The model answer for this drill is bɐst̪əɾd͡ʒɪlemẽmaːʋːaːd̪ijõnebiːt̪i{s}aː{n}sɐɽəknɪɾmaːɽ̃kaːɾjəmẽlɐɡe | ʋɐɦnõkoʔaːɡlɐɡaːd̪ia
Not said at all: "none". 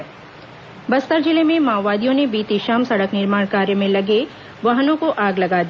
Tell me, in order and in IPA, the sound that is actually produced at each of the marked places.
ʃ, m

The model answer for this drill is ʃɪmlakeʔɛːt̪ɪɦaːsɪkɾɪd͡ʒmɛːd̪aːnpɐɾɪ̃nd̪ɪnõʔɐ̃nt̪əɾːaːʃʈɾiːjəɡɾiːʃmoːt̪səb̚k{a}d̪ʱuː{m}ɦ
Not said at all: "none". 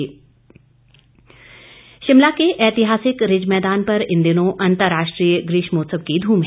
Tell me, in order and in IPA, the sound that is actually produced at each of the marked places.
i, m

